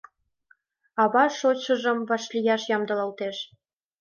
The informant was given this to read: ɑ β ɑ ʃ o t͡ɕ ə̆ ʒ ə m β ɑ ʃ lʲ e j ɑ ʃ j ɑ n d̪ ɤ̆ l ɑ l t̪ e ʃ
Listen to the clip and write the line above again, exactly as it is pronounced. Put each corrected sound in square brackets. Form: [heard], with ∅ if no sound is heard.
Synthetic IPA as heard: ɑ β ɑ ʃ o t͡ɕ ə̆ ʒ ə m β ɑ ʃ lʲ [i] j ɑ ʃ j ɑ [m] d̪ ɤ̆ l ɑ l t̪ e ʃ